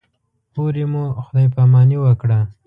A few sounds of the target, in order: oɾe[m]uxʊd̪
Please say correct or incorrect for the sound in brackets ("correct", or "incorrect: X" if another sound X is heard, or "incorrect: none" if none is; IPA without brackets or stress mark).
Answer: correct